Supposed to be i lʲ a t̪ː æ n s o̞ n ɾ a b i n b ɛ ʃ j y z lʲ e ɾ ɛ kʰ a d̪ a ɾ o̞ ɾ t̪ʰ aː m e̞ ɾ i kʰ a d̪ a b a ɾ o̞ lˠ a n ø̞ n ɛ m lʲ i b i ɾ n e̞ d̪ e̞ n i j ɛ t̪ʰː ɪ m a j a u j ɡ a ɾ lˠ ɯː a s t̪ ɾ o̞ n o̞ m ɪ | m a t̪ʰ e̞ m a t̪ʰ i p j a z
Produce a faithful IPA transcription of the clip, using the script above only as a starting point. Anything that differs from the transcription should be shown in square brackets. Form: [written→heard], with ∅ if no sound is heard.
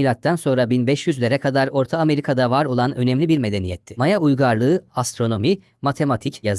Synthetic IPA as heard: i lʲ a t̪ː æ n s o̞ n ɾ a b i n b ɛ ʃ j y z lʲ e ɾ ɛ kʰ a d̪ a ɾ o̞ ɾ t̪ʰ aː m e̞ ɾ i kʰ a d̪ a [b→v] a ɾ o̞ lˠ a n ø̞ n ɛ m lʲ i b i ɾ [n→m] e̞ d̪ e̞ n i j ɛ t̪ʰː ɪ m a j a u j ɡ a ɾ lˠ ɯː a s t̪ ɾ o̞ n o̞ m [ɪ→i] | m a t̪ʰ e̞ m a t̪ʰ i [p→c] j a z